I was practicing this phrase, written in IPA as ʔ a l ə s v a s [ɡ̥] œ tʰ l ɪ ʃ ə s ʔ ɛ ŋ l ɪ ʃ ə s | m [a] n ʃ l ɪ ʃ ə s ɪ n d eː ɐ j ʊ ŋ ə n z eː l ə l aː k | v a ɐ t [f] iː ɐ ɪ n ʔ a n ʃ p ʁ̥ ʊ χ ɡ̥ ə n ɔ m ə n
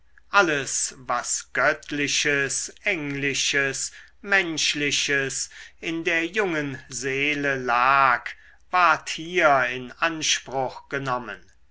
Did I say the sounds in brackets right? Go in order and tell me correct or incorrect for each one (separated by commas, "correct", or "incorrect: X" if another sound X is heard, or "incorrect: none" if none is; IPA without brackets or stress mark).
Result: correct, incorrect: ɛ, incorrect: h